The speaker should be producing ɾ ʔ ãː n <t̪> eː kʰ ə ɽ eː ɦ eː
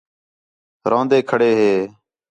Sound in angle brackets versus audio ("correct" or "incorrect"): incorrect